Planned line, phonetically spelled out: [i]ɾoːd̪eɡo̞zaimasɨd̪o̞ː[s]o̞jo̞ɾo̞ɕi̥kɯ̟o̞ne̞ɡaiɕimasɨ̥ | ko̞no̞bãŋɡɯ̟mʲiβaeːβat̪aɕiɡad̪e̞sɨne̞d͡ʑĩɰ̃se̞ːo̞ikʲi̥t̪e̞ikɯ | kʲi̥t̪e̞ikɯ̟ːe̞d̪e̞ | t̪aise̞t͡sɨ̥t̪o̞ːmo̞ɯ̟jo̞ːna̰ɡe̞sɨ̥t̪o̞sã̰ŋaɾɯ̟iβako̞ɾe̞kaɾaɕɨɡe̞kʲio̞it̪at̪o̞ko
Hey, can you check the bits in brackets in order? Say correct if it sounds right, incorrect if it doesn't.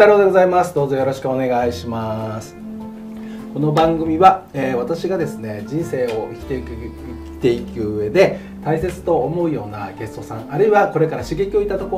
incorrect: a, incorrect: z

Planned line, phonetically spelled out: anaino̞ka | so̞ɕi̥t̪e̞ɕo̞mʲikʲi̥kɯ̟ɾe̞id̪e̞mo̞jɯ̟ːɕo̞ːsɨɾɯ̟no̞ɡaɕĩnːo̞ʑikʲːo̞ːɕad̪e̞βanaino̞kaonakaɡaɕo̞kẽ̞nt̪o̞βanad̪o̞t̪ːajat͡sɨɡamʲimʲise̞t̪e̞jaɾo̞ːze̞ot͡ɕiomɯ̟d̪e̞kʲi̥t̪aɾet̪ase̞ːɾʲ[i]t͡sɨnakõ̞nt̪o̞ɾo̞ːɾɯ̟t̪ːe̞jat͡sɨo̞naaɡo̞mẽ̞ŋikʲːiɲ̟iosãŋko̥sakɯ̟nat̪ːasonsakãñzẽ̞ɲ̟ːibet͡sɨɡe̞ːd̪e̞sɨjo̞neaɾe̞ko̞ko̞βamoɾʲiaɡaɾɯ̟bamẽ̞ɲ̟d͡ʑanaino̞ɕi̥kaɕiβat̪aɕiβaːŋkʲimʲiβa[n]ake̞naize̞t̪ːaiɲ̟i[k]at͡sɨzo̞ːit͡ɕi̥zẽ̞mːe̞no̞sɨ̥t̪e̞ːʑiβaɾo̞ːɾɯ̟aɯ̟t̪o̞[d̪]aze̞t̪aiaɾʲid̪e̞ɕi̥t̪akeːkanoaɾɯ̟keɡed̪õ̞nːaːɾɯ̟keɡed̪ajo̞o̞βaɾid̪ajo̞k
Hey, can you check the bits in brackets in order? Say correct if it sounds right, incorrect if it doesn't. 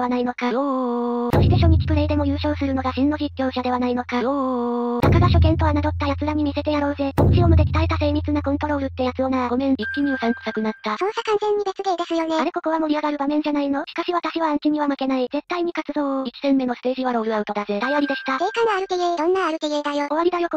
correct, incorrect: m, correct, correct

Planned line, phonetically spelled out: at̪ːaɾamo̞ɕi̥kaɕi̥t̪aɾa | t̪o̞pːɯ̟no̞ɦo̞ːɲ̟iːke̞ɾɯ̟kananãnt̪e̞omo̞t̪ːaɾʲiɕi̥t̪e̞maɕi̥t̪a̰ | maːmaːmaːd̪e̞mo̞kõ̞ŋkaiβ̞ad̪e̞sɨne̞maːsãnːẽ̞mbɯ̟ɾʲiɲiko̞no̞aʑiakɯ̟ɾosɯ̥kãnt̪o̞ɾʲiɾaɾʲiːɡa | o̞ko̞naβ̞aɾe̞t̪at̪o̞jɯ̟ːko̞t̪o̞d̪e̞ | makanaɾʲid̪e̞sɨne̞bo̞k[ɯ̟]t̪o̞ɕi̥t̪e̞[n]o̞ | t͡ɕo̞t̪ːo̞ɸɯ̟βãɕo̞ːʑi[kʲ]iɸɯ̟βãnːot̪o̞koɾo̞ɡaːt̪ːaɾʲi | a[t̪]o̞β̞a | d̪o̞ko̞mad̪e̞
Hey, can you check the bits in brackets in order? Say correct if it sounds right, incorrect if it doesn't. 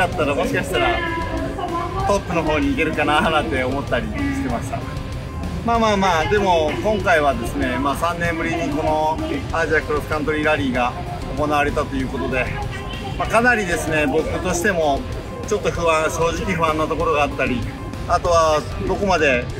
correct, incorrect: m, correct, correct

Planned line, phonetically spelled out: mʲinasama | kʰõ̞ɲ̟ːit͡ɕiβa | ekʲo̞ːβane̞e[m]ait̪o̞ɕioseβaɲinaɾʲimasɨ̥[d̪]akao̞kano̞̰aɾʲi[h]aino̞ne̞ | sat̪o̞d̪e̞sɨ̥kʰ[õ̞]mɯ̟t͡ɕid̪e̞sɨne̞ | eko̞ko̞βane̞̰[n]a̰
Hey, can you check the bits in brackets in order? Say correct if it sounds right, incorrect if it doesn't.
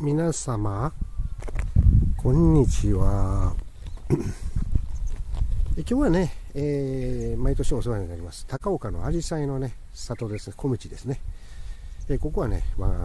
correct, incorrect: t̪, incorrect: s, incorrect: o̞, incorrect: m

